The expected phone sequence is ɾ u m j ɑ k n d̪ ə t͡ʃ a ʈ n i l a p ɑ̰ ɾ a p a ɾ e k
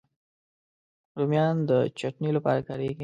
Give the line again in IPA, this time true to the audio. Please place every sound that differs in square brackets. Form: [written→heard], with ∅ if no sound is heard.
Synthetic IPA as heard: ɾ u m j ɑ [k→∅] n d̪ ə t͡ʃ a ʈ n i l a p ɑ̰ ɾ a [p→k] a ɾ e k